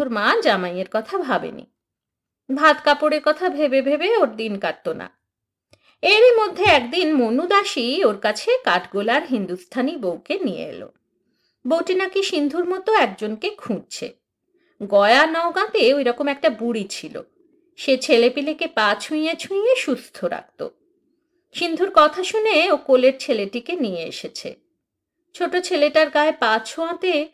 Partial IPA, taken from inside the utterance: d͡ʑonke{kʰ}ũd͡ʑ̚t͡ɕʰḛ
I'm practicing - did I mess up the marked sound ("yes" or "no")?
no